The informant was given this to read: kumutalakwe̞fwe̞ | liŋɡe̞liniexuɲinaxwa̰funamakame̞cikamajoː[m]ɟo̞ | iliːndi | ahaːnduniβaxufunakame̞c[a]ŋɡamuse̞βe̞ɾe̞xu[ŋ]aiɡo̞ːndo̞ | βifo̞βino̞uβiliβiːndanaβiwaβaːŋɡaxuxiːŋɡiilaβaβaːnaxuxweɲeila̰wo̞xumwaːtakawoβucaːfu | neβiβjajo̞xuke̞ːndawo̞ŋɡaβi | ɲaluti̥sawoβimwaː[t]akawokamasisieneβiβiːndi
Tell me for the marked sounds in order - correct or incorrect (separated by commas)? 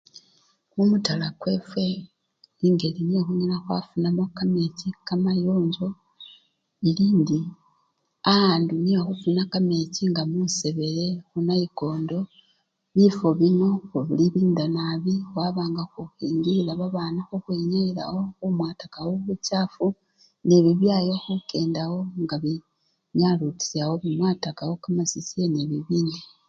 incorrect, incorrect, incorrect, correct